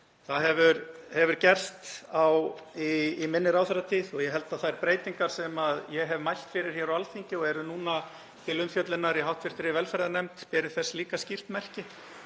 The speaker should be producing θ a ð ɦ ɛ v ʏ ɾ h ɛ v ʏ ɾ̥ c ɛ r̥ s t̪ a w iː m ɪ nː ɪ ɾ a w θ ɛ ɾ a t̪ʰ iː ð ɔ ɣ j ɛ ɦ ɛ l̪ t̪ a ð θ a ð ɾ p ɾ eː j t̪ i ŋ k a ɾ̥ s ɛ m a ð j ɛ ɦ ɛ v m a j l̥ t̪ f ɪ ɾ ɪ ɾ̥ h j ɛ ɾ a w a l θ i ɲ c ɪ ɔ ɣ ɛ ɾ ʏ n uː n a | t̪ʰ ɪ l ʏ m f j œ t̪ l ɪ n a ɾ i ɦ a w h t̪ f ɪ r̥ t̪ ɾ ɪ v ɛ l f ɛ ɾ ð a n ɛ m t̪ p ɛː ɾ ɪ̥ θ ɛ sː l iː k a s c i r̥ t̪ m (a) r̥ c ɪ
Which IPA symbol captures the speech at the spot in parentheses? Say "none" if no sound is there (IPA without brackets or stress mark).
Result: ɛ